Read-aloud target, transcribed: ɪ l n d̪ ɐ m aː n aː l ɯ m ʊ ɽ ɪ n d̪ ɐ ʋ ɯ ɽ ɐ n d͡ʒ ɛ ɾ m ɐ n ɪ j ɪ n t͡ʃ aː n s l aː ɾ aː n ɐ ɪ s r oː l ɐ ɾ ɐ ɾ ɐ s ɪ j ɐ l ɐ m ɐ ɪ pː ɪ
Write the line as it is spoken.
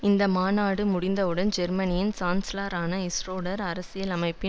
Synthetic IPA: ɪ n d̪ ɐ m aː n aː ɽ ɯ m ʊ ɽ ɪ n d̪ ɐ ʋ ɯ ɽ ɐ n d͡ʒ ɛ ɾ m ɐ n ɪ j ɪ n t͡ʃ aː n s l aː ɾ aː n ɐ ɪ s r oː ɽ ɐ ɾ ɐ ɾ ɐ s ɪ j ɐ l ɐ m ɐ ɪ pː ɪ